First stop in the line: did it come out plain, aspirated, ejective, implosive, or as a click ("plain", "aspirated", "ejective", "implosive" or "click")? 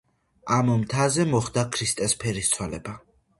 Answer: aspirated